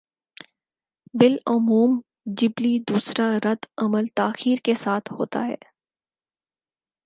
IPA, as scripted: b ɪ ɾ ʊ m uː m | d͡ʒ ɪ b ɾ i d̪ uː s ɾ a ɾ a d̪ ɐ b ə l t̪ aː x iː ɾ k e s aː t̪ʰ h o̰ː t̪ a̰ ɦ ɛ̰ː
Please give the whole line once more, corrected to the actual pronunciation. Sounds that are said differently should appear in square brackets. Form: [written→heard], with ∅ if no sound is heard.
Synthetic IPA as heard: b ɪ [ɾ→l] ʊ m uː m | d͡ʒ ɪ b [ɾ→l] i d̪ uː s ɾ a ɾ [a→ɐ] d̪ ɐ [b→m] ə l t̪ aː x iː ɾ k e s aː t̪ʰ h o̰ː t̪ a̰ ɦ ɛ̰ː